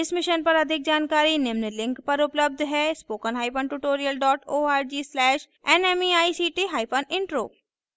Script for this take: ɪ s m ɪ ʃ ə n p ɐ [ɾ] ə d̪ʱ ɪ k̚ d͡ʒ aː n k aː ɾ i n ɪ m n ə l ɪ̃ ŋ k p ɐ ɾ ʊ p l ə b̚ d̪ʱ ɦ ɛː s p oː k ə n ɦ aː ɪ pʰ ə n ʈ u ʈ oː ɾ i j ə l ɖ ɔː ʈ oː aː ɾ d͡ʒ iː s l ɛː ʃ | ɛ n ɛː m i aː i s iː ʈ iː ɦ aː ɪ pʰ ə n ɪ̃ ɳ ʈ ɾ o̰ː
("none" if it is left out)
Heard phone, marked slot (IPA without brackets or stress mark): ɾ